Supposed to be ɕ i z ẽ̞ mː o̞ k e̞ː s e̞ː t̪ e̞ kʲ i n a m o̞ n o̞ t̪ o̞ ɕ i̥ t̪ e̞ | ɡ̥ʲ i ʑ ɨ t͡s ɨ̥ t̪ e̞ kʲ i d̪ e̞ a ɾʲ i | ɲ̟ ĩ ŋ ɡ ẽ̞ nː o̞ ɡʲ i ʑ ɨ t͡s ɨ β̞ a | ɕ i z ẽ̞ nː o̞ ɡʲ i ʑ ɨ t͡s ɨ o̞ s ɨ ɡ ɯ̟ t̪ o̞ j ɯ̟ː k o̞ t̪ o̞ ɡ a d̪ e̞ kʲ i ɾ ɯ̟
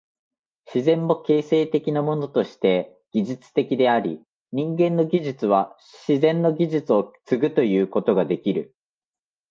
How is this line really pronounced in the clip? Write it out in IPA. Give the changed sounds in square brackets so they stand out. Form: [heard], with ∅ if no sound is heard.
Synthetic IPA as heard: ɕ i z ẽ̞ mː o̞ k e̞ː s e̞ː t̪ e̞ kʲ i n a m o̞ n o̞ t̪ o̞ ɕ i̥ t̪ e̞ | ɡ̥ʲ i ʑ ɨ t͡s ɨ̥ t̪ e̞ kʲ i d̪ e̞ a ɾʲ i | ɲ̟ ĩ ŋ ɡ ẽ̞ nː o̞ ɡʲ i ʑ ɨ t͡s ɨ β̞ a | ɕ i z ẽ̞ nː o̞ ɡʲ i ʑ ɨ t͡s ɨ o̞ [t͡s] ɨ ɡ ɯ̟ t̪ o̞ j ɯ̟ː k o̞ t̪ o̞ ɡ a d̪ e̞ kʲ i ɾ ɯ̟